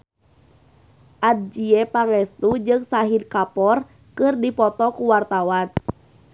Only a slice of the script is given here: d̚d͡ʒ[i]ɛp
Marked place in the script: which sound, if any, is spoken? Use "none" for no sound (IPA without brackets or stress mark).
i